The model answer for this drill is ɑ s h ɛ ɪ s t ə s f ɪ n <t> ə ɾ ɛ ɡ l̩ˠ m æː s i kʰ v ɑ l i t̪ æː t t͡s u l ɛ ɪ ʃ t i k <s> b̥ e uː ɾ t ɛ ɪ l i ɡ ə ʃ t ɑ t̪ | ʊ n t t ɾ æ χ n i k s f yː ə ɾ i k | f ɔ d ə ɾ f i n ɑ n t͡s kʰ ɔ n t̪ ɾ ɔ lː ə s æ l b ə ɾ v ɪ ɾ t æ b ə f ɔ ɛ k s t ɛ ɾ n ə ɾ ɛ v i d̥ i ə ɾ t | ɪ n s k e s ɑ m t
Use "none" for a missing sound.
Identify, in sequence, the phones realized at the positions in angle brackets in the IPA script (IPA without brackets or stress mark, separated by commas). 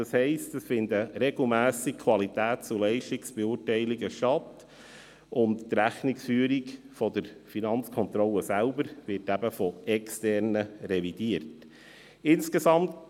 d, s